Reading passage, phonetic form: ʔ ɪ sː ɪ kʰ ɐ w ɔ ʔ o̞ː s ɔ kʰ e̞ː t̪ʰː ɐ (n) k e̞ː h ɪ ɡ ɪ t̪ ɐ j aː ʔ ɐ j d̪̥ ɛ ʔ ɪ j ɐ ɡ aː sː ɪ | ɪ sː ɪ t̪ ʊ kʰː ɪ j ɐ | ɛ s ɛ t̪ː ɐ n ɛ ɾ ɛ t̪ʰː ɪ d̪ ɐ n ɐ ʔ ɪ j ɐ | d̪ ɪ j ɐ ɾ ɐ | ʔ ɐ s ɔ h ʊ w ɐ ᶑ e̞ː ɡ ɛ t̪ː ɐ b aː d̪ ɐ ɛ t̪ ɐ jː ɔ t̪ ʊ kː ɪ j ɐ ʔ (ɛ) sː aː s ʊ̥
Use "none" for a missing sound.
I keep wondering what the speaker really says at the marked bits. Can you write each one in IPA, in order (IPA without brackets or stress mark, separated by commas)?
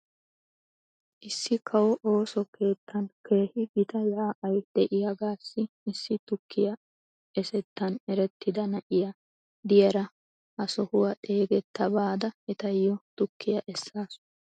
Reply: n, ɛ